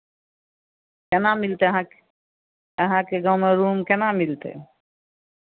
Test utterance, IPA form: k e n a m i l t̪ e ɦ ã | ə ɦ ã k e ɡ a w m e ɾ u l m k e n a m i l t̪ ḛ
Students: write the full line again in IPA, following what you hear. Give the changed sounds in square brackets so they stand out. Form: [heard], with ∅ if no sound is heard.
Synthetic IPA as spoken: k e n a m i l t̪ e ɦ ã | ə ɦ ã k e ɡ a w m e ɾ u [∅] m k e n a m i l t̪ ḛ